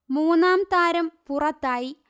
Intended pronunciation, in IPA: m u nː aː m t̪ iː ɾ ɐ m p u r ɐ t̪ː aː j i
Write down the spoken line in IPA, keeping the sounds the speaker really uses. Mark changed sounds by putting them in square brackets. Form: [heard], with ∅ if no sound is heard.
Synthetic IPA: m [uː] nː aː m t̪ [aː] ɾ ɐ m p u r ɐ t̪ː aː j i